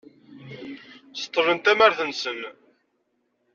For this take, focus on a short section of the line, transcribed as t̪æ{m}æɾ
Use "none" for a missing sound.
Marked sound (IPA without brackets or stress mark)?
m